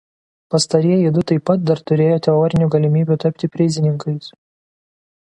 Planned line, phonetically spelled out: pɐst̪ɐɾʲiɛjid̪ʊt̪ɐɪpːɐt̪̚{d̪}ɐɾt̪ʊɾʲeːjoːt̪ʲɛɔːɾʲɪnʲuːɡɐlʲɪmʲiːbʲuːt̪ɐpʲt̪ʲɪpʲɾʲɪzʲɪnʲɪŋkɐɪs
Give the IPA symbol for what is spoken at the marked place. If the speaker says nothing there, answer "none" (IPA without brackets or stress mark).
d̪